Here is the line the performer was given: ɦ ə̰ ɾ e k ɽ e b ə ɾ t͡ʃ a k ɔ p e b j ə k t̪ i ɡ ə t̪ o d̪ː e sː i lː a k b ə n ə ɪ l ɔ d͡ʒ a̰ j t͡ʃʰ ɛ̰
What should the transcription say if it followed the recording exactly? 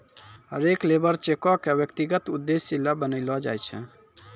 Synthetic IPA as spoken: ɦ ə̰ ɾ e k l e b ə ɾ t͡ʃ e k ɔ k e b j ə k t̪ i ɡ ə t̪ u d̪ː e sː i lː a b ə n ə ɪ l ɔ d͡ʒ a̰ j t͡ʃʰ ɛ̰